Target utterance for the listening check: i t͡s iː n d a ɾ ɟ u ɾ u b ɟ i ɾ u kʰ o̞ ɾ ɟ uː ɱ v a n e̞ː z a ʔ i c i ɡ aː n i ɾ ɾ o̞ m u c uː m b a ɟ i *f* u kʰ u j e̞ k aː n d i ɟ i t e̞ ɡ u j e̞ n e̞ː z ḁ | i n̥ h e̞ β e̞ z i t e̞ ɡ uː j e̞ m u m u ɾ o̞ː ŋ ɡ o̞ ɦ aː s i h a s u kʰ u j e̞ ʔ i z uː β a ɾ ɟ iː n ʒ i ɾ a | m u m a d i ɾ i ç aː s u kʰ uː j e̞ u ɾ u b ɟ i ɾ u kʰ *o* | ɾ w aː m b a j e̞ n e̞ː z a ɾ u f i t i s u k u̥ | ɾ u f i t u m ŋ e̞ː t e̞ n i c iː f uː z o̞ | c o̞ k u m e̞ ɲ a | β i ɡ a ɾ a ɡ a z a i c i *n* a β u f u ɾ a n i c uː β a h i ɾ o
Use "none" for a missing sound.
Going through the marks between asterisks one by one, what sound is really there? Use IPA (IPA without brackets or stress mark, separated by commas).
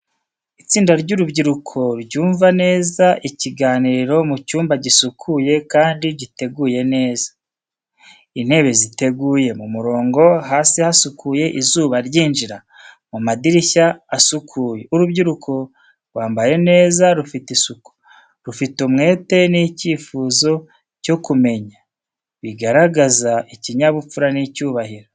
s, o, ɲ